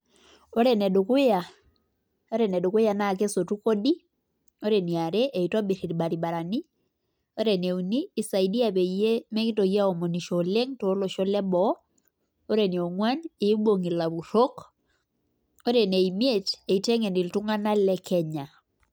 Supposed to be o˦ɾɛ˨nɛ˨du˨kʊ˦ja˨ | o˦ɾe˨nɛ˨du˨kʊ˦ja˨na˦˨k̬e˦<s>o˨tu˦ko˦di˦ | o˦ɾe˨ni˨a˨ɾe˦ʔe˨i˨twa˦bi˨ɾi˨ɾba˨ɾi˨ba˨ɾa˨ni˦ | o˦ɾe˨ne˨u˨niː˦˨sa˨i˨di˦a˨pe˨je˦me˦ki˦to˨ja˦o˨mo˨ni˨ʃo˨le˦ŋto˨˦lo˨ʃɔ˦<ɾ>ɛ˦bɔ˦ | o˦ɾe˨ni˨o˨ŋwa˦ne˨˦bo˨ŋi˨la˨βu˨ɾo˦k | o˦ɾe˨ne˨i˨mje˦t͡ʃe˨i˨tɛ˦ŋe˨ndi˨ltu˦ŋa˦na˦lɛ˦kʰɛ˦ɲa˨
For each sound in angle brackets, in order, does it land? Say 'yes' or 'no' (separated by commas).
yes, no